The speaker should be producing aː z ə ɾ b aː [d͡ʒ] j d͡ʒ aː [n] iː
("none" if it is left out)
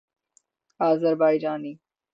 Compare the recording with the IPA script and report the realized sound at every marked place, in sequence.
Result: none, n

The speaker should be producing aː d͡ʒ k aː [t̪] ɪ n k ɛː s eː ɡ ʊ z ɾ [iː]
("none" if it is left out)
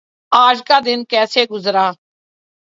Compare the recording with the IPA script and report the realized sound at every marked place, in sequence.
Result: d̪, aː

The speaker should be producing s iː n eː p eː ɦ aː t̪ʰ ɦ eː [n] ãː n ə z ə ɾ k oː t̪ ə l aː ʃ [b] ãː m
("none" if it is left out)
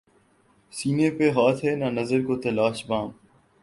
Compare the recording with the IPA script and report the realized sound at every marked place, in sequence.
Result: n, b

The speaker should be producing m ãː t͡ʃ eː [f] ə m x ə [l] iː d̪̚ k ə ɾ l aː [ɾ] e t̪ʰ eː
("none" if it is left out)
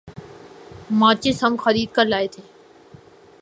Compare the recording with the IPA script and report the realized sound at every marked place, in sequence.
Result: s, ɾ, none

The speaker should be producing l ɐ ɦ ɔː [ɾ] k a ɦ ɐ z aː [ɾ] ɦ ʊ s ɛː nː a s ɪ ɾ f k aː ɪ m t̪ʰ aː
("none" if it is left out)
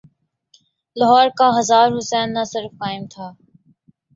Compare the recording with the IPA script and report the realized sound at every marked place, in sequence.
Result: ɾ, ɾ

